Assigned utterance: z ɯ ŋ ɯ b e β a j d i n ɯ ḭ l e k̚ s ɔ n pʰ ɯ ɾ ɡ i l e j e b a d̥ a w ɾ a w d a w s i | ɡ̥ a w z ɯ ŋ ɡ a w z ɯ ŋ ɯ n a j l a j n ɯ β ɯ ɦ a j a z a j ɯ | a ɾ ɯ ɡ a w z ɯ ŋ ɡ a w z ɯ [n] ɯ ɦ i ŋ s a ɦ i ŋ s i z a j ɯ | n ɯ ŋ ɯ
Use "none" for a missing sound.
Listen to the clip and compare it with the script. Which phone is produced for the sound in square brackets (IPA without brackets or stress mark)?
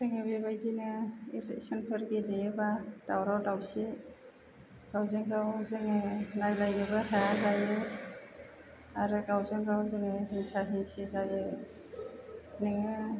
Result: ŋ